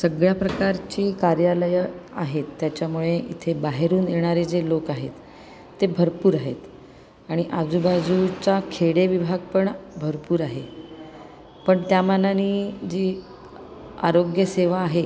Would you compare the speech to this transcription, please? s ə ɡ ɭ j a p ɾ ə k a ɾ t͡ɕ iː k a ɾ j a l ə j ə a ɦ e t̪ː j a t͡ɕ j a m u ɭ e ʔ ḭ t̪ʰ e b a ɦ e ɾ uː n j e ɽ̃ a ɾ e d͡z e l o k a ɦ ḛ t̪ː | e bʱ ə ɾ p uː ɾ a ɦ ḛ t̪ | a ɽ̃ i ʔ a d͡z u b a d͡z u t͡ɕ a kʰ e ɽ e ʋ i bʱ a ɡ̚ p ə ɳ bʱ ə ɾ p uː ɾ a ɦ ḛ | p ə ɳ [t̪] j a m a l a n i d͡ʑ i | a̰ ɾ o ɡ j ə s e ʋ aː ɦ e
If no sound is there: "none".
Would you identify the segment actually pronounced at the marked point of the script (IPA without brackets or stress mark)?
t̪